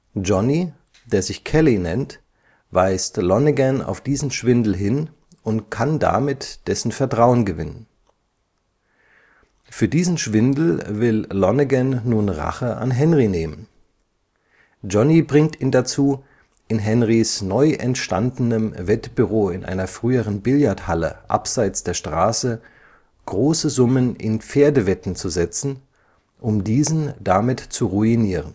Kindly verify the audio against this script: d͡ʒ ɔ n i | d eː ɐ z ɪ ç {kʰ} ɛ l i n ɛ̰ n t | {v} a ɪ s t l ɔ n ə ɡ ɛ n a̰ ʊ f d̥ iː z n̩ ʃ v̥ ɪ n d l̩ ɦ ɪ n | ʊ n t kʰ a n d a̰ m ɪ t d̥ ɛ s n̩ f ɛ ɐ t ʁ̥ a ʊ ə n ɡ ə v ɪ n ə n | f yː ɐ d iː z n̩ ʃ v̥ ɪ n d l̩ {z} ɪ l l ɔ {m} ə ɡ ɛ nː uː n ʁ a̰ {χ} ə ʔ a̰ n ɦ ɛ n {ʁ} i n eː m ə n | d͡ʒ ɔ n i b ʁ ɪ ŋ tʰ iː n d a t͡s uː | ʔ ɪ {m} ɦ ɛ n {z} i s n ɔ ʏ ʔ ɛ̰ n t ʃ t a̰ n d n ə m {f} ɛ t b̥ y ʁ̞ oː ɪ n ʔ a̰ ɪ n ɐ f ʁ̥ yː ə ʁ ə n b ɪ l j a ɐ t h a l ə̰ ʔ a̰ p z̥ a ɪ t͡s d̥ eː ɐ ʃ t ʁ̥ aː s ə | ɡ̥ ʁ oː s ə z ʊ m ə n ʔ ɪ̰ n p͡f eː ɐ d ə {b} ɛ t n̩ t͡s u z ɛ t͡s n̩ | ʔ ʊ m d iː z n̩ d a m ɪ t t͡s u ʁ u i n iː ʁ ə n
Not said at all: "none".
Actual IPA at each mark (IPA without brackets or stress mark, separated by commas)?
kʰ, v, v, n, χ, ʁ, n, ʁ, v, v